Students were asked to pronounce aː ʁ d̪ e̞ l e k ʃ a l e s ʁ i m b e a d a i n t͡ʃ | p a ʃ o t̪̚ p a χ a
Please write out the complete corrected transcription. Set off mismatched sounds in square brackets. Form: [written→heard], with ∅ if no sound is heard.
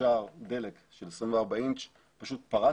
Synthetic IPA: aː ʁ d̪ e̞ l e k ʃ [a→e] l e s ʁ i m [b→v] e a [d→b] a i n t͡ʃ | p a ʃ [o→u] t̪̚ p a [χ→ʁ] a

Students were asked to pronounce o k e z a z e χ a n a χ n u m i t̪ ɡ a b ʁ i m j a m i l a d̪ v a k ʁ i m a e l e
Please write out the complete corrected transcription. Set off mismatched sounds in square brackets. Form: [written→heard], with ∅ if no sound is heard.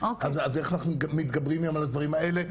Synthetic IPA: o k [e→a] z a z e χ a n a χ n u m i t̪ ɡ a b ʁ i m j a m [i→a] l a d̪ v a [k→∅] ʁ i m a e l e

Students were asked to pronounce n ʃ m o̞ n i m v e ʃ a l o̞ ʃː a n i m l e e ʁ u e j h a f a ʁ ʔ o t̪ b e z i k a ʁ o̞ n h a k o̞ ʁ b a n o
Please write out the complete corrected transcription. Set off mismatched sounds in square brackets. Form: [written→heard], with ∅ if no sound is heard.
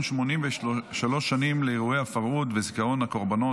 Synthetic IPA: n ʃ m o̞ n i m v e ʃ a l o̞ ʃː a n i m l e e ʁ u e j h a f a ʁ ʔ [o→u] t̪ [b→v] e z i k a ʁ o̞ n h a k o̞ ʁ b a n o

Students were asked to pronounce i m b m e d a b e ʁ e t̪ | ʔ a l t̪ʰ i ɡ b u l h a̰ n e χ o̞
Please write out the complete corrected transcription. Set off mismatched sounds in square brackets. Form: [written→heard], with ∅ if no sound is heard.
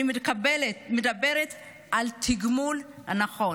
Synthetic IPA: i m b m e d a b e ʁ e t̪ | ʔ a l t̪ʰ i ɡ [b→m] u l h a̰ n [e→a] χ o̞

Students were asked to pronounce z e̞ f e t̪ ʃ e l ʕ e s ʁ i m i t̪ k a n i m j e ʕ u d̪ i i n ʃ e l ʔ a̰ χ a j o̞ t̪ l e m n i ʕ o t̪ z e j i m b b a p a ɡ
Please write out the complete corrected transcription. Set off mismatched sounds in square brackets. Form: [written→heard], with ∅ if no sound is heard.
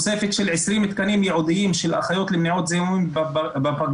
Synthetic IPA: [z→s] e̞ f e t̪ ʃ e l ʕ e s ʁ i m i t̪ k a n i m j e ʕ u d̪ i i [n→m] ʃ e l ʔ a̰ χ a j o̞ t̪ l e m n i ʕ o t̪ z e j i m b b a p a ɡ

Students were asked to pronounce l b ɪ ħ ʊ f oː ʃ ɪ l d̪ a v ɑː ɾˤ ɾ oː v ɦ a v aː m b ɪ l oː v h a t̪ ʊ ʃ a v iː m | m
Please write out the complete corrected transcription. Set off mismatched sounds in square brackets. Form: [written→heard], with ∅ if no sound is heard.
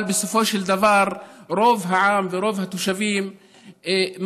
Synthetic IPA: l b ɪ [ħ→s] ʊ f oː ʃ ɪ l d̪ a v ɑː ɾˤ ɾ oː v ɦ a [v→ʕ] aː m [b→v] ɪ [l→ɾ] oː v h a t̪ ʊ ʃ a v iː m | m

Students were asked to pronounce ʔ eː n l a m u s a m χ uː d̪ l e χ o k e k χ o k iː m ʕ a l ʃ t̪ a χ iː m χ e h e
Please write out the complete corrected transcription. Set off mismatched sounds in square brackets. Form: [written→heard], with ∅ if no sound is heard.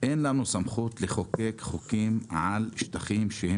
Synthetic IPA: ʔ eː n l a [m→n] u s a m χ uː [d̪→t̪] l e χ o k e k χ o k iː m ʕ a l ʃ t̪ a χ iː m [χ→ʃ] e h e

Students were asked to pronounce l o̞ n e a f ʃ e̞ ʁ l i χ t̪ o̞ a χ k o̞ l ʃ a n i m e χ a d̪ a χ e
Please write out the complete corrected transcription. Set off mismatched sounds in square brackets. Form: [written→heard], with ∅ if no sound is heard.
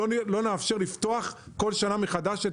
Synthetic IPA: l o̞ n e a f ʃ e̞ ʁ l i [χ→f] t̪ o̞ a χ k o̞ l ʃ a n [i→a] m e χ a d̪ a [χ→ʃ] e

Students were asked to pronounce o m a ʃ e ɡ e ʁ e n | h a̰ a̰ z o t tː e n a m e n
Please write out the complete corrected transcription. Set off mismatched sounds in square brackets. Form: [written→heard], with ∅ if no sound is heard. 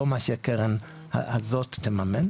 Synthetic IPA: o m a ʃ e [ɡ→k] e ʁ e n | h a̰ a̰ z o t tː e [n→m] a m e n

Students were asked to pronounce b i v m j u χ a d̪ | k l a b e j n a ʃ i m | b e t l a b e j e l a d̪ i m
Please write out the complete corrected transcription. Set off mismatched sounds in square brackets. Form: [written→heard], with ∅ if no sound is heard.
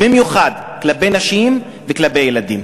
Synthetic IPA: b i [v→∅] m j u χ a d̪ | k l a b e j n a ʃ i m | [b→v] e [t→k] l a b e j e l a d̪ i m

